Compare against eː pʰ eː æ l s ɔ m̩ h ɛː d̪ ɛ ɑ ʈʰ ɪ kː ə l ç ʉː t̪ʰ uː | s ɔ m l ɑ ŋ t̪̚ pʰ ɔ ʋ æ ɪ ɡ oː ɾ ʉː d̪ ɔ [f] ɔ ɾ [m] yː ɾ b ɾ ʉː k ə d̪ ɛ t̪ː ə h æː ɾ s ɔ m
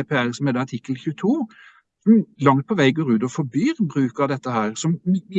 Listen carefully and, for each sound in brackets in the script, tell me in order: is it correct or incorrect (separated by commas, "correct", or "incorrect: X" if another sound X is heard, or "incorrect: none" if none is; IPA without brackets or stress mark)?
correct, incorrect: b